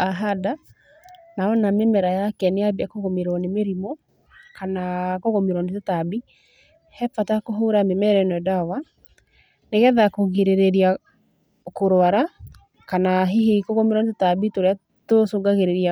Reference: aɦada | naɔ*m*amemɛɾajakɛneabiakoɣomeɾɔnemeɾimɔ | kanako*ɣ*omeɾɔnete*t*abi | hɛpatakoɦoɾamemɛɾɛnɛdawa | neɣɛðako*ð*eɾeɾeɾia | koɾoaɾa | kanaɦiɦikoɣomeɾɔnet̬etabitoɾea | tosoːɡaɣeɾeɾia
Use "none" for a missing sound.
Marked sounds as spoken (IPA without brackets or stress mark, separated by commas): n, ɣ, t, ɣ